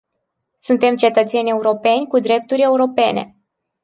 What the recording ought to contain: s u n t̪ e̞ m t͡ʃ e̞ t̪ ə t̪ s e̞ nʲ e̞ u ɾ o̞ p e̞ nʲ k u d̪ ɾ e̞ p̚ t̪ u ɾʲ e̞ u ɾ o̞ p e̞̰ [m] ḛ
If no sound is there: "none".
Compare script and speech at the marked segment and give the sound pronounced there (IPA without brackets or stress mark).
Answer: n